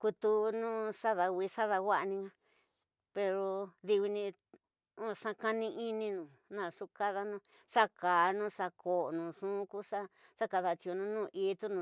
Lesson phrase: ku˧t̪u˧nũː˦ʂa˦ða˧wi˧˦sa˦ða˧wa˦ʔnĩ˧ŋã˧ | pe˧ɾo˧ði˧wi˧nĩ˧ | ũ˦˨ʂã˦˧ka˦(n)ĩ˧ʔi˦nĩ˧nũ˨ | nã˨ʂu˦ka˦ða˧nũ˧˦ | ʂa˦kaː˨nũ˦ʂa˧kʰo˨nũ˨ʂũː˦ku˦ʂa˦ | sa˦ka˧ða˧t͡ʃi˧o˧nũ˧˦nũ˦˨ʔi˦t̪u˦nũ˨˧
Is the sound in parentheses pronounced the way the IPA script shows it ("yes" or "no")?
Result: yes